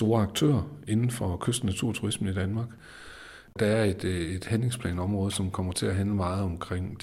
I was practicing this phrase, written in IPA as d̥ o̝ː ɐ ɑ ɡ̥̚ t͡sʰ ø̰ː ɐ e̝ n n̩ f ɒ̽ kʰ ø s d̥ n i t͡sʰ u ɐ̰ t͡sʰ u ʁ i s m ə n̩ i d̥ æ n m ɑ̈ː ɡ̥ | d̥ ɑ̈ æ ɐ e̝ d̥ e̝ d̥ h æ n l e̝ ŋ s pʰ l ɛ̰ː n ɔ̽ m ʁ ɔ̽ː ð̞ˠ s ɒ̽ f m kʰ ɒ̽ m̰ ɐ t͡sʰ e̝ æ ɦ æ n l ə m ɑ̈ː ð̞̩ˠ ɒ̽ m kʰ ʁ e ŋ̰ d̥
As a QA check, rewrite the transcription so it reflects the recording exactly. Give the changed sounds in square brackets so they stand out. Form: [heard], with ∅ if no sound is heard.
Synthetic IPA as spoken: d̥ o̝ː ɐ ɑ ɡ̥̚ t͡sʰ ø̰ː ɐ e̝ n n̩ f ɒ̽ kʰ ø s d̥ n [æ] t͡sʰ u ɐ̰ t͡sʰ u ʁ i s m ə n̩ i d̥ æ n m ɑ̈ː ɡ̥ | d̥ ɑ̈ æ ɐ e̝ d̥ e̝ d̥ h æ n l e̝ ŋ s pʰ l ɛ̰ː n [ɒ̽] m ʁ ɔ̽ː ð̞ˠ s ɒ̽ [∅] m kʰ ɒ̽ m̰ ɐ t͡sʰ e̝ æ ɦ æ n l ə m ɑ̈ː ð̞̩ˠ ɒ̽ m kʰ ʁ e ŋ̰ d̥